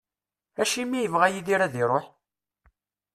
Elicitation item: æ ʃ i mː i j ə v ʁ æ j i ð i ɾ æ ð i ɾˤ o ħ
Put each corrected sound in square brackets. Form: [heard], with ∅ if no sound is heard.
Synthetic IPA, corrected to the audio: æ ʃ i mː i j ə v ʁ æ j i ð i ɾ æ ð i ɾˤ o ħ